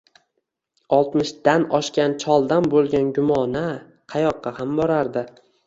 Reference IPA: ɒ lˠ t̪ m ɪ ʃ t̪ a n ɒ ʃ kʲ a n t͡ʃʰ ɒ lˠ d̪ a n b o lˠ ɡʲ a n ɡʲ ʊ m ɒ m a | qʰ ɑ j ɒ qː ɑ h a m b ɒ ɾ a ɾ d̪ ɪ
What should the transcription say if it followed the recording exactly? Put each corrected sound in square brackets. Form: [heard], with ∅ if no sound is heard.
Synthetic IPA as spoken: ɒ lˠ t̪ m ɪ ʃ [d̪] a n ɒ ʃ kʲ a n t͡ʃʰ ɒ lˠ d̪ a n b o lˠ ɡʲ a n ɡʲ ʊ m ɒ [n] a | qʰ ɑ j ɒ qː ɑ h a m b ɒ ɾ a ɾ d̪ ɪ